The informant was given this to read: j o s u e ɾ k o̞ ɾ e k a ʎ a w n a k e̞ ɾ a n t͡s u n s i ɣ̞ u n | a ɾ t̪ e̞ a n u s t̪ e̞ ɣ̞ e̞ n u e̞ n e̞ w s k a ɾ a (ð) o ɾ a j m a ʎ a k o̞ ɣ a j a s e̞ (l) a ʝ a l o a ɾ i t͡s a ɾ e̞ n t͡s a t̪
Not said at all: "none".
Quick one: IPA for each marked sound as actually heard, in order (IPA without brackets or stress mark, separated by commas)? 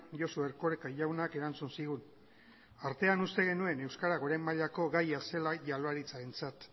ɣ, l